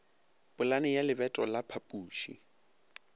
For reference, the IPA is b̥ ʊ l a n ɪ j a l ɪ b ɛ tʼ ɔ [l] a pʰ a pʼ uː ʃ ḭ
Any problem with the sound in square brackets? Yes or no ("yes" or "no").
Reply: no